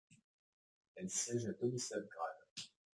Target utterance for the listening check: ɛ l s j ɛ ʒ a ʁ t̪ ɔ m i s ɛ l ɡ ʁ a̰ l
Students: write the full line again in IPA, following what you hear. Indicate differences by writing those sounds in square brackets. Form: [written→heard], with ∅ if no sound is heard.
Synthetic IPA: ɛ l s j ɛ ʒ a [ʁ→∅] t̪ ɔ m i s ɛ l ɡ ʁ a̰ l

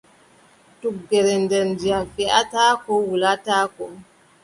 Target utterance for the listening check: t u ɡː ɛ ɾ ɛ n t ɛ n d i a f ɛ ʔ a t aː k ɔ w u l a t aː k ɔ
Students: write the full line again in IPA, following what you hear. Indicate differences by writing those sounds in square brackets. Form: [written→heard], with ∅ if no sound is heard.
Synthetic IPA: t u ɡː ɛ ɾ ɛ n [t→d] ɛ n d i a f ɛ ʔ a t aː k ɔ w u l a t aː k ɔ

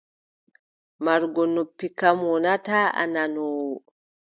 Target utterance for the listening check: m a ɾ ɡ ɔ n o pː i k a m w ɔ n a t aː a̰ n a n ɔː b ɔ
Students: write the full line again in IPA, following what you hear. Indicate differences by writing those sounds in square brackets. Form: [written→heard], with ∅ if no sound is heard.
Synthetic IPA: m a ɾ ɡ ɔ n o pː i k a m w ɔ n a t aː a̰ n a n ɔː [b→w] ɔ

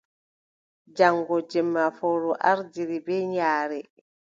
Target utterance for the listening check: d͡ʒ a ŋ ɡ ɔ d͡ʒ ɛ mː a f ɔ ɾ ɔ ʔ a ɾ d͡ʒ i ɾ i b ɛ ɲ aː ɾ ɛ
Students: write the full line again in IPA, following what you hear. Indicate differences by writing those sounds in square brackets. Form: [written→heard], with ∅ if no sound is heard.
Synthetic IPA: d͡ʒ a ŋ ɡ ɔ d͡ʒ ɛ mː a f ɔ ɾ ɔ ʔ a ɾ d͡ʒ i ɾ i b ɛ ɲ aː ɾ ɛ

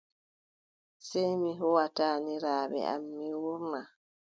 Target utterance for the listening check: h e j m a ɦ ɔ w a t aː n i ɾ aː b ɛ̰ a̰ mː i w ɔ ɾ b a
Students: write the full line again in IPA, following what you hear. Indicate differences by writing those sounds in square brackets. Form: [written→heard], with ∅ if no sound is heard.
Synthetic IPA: [h→s] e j m [a→i] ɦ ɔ w a t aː n i ɾ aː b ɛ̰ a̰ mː i w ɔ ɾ [b→m] a

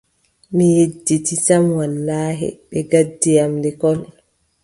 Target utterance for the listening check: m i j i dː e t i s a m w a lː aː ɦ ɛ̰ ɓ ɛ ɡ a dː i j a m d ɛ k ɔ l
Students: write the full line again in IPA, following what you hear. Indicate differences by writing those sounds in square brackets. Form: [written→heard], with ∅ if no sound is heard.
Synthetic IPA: m i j [i→e] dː [e→i] t i s a m w a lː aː ɦ ɛ̰ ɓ ɛ ɡ a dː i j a m d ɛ k ɔ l

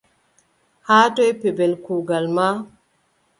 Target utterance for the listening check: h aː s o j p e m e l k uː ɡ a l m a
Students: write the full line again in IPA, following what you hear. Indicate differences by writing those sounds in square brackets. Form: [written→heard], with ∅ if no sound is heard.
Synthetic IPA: h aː [s→t] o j p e [m→b] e l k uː ɡ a l m a

